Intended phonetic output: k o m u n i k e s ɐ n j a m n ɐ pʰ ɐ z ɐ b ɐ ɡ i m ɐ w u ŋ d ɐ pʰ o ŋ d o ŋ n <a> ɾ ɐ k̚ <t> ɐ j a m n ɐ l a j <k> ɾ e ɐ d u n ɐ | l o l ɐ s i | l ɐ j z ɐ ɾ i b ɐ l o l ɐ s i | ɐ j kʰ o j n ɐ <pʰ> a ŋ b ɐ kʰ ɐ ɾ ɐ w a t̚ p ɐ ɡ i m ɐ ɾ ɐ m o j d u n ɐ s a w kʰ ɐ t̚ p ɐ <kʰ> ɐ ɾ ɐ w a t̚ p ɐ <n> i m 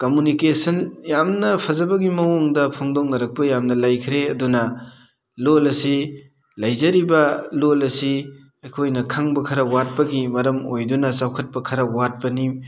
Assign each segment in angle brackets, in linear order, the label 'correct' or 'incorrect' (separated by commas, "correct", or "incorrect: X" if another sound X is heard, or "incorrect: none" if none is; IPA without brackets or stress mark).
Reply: incorrect: ɐ, incorrect: p, incorrect: kʰ, incorrect: kʰ, correct, correct